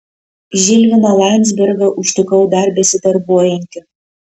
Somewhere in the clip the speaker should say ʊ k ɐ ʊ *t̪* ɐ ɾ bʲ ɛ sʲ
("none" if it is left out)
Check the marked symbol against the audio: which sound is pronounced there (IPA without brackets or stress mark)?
d̪